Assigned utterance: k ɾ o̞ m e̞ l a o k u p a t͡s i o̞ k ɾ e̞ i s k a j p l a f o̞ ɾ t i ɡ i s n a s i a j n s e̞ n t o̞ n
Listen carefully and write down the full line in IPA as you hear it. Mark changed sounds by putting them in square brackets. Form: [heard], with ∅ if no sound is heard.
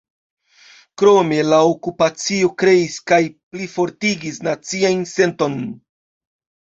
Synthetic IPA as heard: k ɾ o̞ m e̞ l a o k u p a t͡s i o̞ k ɾ e̞ i s k a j p l [i] f o̞ ɾ t i ɡ i s n a [t͡s] i a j n s e̞ n t o̞ n